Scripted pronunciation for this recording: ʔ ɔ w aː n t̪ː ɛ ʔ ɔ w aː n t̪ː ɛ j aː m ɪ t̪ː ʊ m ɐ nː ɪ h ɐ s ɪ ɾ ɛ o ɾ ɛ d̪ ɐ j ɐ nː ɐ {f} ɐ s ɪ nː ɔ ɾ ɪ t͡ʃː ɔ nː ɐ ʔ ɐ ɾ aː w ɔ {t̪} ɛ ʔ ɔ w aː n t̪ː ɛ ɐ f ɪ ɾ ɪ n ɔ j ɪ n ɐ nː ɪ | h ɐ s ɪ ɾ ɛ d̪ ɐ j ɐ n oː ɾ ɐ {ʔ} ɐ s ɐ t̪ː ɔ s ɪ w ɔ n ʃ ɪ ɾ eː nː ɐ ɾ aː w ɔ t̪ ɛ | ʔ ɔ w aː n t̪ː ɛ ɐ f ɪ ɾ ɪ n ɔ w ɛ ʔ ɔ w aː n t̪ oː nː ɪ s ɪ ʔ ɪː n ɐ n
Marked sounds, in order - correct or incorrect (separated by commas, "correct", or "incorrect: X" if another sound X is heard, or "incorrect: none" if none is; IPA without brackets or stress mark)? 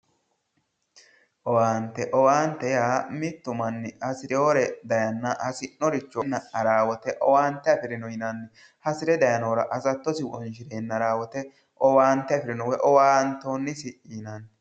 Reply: incorrect: h, correct, correct